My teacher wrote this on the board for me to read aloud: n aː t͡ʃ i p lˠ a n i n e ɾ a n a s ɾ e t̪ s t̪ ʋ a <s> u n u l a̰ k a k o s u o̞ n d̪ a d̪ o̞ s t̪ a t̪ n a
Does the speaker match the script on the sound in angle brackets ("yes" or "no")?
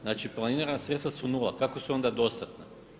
yes